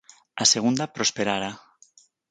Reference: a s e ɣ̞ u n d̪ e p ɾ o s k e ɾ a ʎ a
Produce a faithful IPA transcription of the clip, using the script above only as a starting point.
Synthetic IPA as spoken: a s e ɣ̞ u n d̪ a p ɾ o s p e ɾ a ɾ a